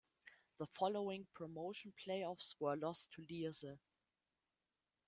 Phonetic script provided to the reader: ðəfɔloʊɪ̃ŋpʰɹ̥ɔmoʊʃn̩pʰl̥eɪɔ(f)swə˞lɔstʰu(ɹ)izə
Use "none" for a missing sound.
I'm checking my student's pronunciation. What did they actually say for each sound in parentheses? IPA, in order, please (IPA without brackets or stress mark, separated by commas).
f, l